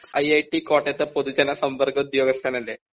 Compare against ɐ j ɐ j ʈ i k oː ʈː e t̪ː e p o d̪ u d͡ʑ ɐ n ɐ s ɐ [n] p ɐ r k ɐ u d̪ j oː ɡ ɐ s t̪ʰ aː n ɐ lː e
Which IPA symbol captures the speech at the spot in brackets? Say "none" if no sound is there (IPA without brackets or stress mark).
m